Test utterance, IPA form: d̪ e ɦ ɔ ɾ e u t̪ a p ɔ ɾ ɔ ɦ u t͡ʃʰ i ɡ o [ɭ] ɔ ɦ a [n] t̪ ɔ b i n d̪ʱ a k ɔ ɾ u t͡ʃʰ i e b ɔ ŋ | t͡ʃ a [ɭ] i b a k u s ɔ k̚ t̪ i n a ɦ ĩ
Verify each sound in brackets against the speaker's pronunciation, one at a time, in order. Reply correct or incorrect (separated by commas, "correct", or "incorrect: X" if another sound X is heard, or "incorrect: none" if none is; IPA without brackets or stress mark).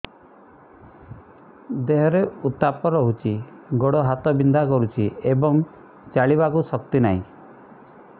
incorrect: ɽ, incorrect: none, correct